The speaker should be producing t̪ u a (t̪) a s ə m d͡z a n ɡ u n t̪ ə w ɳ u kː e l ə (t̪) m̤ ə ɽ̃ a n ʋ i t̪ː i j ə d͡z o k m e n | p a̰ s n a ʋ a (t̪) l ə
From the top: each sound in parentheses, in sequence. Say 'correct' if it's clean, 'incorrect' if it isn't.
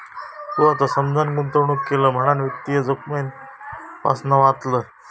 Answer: correct, incorrect: none, correct

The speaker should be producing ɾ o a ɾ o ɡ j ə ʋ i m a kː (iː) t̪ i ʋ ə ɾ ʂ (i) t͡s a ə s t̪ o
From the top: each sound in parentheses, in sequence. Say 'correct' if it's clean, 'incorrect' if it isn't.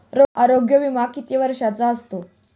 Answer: incorrect: i, incorrect: a

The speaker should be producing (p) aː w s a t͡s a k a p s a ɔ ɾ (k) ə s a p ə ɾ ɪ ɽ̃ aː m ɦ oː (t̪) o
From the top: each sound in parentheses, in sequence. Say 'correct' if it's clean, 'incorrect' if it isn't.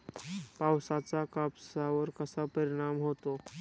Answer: correct, correct, correct

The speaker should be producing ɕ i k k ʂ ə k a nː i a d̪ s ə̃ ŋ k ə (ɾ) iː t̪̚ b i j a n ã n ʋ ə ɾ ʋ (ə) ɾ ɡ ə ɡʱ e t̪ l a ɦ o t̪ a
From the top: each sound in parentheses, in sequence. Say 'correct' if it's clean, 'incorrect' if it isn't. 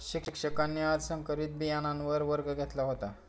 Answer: correct, correct

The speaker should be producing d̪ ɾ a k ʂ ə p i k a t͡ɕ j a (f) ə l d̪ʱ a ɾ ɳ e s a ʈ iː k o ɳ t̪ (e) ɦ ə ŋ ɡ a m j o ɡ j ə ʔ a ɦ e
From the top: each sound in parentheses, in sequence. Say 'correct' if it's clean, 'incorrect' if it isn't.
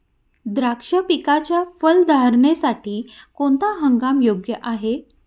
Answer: correct, incorrect: a

